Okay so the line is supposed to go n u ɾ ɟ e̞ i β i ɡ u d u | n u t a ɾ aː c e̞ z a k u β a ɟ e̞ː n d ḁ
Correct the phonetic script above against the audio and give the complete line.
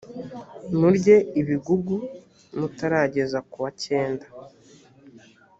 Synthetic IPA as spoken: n u ɾ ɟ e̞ i β i ɡ u ɡ u | n u t a ɾ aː ɟ e̞ z a k u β a c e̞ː n d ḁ